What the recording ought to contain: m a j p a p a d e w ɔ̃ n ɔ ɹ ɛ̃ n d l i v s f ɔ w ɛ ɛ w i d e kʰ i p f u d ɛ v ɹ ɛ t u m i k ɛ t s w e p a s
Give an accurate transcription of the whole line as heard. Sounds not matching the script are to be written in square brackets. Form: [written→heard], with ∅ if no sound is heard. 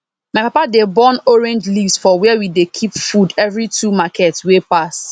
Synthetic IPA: m a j p a p a d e [w→b] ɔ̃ n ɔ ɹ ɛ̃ n [d→d͡ʒ] l i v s f ɔ w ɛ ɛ w i d e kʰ i p f u d ɛ v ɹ [ɛ→i] t u m [i→a] k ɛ t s w e p a s

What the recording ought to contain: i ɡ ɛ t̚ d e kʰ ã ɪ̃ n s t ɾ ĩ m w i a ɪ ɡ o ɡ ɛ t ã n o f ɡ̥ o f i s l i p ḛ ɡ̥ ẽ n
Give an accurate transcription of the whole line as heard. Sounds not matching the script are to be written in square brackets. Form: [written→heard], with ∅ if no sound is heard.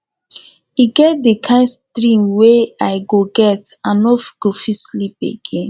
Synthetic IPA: i ɡ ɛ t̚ d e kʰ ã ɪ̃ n s t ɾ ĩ m w [i→e] a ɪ ɡ o ɡ ɛ t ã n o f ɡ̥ o f i s l i p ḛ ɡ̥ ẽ n

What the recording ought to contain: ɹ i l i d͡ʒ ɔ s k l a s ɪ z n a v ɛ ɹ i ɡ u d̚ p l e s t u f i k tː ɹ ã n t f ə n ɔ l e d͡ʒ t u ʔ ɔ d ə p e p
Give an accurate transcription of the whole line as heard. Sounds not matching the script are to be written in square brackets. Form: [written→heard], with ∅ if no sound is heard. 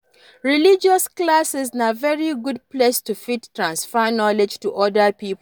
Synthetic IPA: ɹ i l i d͡ʒ ɔ s k l a s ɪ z n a v ɛ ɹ i ɡ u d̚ p l e s t u f i [k→t] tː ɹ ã n [t→s] f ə n ɔ l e d͡ʒ t u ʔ ɔ d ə p [e→i] p

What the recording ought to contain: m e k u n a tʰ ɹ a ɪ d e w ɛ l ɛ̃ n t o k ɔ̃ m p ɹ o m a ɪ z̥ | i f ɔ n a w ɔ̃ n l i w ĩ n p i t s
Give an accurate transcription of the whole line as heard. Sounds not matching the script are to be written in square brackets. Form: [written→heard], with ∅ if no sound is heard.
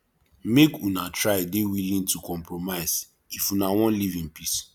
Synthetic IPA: m e k u n a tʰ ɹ a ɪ d e w [ɛ→i] l [ɛ̃→ĩ] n t [o→u] k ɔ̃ m p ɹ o m a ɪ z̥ | i f [ɔ→u] n a w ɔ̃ n l i [w→v] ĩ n p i [t→∅] s

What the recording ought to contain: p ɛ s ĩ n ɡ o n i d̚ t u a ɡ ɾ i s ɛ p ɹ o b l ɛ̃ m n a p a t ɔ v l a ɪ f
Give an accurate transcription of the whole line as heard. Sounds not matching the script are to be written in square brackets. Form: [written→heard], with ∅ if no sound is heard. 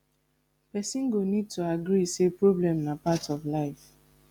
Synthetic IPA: p ɛ s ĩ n ɡ o n i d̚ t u a ɡ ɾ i s [ɛ→e] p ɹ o b l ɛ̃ m n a p a t ɔ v l a ɪ f

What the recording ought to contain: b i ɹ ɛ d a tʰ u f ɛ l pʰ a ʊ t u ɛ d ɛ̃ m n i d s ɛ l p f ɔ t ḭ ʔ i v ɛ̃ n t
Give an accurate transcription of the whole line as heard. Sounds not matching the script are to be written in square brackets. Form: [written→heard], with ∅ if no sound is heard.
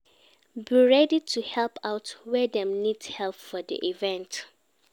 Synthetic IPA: b i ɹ ɛ d [a→i] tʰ u [f→h] ɛ l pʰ a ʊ t [u→w] ɛ d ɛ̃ m n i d [s→h] ɛ l p f ɔ [t→d] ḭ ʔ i v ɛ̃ n t

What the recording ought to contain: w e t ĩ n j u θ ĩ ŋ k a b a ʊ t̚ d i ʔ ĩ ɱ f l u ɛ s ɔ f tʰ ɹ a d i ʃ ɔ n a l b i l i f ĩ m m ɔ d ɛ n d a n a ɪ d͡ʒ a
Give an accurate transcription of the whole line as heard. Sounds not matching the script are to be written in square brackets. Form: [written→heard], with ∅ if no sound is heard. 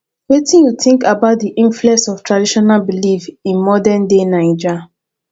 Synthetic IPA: w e t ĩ n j u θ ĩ ŋ k a b a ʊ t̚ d i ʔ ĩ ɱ f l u ɛ s ɔ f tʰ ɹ a d i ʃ ɔ n a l b i l i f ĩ [m→n] m ɔ d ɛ n d [a→e] n a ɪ d͡ʒ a

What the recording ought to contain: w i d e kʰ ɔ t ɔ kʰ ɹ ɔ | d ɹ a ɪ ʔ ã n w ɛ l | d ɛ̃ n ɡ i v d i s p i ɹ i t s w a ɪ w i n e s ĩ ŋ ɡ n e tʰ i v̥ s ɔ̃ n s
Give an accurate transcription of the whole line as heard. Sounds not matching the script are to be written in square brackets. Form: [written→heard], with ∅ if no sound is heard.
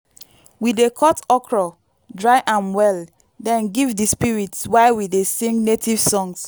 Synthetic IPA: w i d e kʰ ɔ t ɔ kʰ ɹ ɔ | d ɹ a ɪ ʔ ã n w ɛ l | d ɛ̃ n ɡ i v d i s p i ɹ i t s w a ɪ w i [n→d] e s ĩ ŋ ɡ n e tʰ i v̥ s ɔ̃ [n→ŋ] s

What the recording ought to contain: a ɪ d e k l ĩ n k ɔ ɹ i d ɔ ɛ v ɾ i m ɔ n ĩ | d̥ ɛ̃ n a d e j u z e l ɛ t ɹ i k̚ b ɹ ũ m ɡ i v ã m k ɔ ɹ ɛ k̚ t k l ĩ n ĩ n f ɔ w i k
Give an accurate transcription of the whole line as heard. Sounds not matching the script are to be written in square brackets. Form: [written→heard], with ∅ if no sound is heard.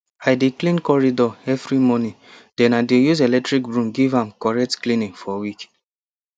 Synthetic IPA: a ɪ d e k l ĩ n k ɔ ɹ i d ɔ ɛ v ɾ i m ɔ n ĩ | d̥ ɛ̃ n a d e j u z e l ɛ t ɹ i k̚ b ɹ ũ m ɡ i v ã m k ɔ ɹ ɛ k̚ t k l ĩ n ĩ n f ɔ w i k

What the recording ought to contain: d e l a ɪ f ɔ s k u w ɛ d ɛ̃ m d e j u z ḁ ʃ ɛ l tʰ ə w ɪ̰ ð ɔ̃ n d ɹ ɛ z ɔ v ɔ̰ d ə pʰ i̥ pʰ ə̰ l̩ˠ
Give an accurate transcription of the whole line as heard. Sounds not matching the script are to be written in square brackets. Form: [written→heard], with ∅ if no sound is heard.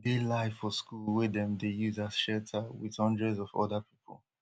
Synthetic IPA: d e l a ɪ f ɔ s k u w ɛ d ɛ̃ m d e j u z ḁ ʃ ɛ l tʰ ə w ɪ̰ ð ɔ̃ n d ɹ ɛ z ɔ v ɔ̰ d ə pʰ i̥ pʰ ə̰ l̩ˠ

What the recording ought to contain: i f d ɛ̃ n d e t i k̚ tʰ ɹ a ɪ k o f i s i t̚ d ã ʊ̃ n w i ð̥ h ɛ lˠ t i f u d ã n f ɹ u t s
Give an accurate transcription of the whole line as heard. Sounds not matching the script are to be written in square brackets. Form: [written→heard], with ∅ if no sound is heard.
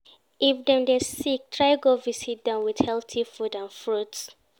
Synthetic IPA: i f d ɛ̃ [n→m] d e [t→s] i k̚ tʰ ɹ a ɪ [k→ɡ] o [f→v] i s i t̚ d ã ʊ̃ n w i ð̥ h ɛ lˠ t i f u d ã n f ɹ u t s

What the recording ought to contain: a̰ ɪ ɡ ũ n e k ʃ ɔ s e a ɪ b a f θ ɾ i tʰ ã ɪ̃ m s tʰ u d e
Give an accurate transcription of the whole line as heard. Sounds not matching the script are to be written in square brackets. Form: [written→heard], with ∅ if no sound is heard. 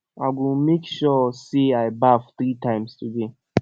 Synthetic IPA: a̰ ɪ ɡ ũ [n→m] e k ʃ ɔ s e a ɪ b a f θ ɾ i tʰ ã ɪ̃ m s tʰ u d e

